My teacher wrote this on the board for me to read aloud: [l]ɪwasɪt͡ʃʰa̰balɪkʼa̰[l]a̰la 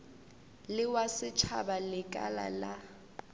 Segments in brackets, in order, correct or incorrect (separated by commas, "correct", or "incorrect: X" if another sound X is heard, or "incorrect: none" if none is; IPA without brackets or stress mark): correct, correct